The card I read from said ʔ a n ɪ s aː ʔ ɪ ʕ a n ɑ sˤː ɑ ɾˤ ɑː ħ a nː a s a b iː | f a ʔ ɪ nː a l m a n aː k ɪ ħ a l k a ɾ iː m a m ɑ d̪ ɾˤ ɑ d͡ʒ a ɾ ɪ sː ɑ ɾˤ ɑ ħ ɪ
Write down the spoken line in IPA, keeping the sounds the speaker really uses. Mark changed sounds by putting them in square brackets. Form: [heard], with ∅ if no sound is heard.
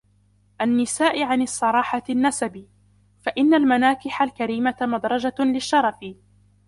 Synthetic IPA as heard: ʔ a [nː] ɪ s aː ʔ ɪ ʕ a n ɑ sˤː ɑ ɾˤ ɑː ħ a nː a s a b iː | f a ʔ ɪ nː a l m a n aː k ɪ ħ a l k a ɾ iː m a m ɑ d̪ ɾˤ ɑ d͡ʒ a [l] ɪ [ʃː] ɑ ɾˤ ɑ [f] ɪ

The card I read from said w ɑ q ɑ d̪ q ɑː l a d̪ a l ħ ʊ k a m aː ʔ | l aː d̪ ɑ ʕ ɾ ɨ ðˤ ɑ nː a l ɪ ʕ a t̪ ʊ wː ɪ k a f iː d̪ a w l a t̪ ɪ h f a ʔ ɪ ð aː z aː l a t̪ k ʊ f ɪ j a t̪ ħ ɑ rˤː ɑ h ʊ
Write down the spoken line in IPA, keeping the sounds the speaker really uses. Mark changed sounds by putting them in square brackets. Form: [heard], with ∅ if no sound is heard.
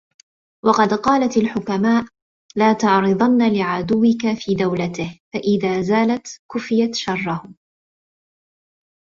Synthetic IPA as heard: w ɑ q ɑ d̪ q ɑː l a [t̪] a l ħ ʊ k a m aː ʔ | l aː [t̪] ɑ ʕ ɾ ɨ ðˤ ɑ nː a l ɪ ʕ a [d̪] ʊ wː ɪ k a f iː d̪ a w l a t̪ ɪ h f a ʔ ɪ ð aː z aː l a t̪ k ʊ f ɪ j a t̪ [ʃ] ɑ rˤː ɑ h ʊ

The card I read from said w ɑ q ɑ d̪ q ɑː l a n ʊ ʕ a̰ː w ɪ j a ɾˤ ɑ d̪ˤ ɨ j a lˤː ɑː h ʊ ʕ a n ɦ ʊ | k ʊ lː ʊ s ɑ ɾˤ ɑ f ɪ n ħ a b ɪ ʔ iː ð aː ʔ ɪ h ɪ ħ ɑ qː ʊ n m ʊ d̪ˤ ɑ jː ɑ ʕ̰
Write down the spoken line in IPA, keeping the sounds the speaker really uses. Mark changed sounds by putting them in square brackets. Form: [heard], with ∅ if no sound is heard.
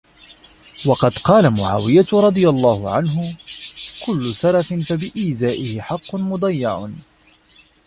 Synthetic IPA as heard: w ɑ q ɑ d̪ q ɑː l a [m] ʊ ʕ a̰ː w ɪ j a ɾˤ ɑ d̪ˤ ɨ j a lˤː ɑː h ʊ ʕ a n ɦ ʊ | k ʊ lː ʊ s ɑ ɾˤ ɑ f ɪ n [f] a b ɪ ʔ iː [z] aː ʔ ɪ h ɪ ħ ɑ qː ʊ n m ʊ d̪ˤ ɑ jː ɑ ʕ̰

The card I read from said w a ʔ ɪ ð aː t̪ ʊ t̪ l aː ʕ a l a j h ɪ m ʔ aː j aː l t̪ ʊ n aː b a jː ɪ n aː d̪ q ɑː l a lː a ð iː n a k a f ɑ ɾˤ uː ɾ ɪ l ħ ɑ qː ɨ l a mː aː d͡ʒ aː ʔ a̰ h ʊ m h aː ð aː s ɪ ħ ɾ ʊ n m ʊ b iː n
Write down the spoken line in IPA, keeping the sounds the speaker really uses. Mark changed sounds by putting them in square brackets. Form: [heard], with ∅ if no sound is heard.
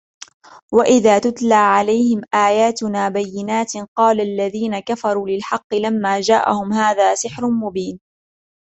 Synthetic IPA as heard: w a ʔ ɪ ð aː t̪ ʊ t̪ l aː ʕ a l a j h ɪ m ʔ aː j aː [∅] t̪ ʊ n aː b a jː ɪ n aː [t̪] q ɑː l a lː a ð iː n a k a f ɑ ɾˤ uː [l] ɪ l ħ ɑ qː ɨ l a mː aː d͡ʒ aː ʔ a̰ h ʊ m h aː ð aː s ɪ ħ ɾ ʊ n m ʊ b iː n

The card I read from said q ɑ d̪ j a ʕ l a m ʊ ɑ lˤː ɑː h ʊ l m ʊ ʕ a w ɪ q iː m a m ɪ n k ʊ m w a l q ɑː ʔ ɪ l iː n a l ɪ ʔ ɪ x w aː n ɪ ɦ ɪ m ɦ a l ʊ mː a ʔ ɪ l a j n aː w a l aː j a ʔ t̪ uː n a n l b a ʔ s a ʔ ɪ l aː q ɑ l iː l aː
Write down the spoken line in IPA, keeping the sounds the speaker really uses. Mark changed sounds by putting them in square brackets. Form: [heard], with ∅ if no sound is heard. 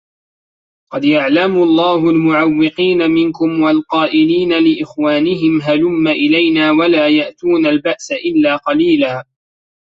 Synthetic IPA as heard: q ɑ d̪ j a ʕ l a m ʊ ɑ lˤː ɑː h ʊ l m ʊ ʕ a [wː] ɪ q iː [n] a m ɪ n k ʊ m w a l q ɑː ʔ ɪ l iː n a l ɪ ʔ ɪ x w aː n ɪ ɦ ɪ m ɦ a l ʊ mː a ʔ ɪ l a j n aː w a l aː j a ʔ t̪ uː n a [∅] l b a ʔ s a ʔ ɪ [lː] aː q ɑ l iː l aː

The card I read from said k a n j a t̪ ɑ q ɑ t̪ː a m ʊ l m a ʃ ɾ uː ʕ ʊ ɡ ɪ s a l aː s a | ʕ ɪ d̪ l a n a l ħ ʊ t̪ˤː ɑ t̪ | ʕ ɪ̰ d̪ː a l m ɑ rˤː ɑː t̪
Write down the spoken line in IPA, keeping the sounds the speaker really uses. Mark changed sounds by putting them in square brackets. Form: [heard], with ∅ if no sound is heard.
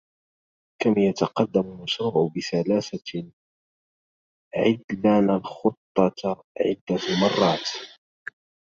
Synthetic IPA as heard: k a [m] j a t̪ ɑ q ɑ [d̪ː] a m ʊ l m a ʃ ɾ uː ʕ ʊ [b] ɪ s a l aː s a | ʕ ɪ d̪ l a n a l [x] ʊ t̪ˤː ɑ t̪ | ʕ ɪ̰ d̪ː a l m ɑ rˤː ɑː t̪

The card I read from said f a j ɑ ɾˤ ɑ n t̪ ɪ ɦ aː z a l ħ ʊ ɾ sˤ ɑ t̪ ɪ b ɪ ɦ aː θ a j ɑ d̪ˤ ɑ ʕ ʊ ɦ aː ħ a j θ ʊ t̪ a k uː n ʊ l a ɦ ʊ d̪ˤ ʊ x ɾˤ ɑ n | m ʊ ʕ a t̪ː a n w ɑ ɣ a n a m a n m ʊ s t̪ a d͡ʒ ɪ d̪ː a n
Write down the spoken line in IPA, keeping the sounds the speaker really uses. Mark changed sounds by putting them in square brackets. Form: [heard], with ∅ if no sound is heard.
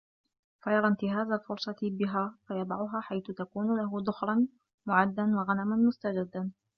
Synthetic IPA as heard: f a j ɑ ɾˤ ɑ n t̪ ɪ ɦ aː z a l [f] ʊ ɾ sˤ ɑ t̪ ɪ b ɪ ɦ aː [f] a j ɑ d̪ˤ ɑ ʕ ʊ ɦ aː ħ a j θ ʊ t̪ a k uː n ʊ l a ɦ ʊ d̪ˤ ʊ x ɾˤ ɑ n | m ʊ ʕ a [d̪ː] a n w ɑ ɣ a n a m a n m ʊ s t̪ a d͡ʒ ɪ d̪ː a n

